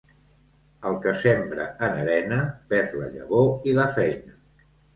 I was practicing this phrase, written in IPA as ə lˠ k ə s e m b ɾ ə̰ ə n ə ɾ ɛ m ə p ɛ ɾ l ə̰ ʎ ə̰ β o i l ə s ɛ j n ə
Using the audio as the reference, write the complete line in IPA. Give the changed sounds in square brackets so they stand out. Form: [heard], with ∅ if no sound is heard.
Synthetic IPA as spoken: ə lˠ k ə s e m b ɾ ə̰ ə n ə ɾ ɛ [n] ə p ɛ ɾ l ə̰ ʎ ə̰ β o i l ə [f] ɛ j n ə